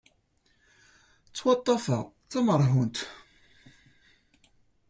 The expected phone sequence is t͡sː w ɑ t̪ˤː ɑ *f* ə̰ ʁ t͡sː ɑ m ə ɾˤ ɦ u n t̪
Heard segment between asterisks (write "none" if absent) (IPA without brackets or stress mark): f